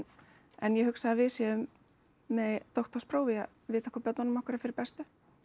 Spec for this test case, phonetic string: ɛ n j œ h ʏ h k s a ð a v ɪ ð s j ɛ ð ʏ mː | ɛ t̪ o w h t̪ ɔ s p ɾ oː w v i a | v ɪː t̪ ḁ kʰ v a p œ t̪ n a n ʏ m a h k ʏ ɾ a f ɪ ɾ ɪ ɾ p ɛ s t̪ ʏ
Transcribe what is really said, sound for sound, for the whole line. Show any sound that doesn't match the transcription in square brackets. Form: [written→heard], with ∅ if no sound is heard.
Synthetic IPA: ɛ n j [œ→ɛ] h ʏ [h→∅] k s a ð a v ɪ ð s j ɛ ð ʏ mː | ɛ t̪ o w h t̪ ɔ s p ɾ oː w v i a | v ɪː t̪ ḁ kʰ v a p œ t̪ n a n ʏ m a h k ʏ ɾ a f ɪ ɾ ɪ ɾ p ɛ s t̪ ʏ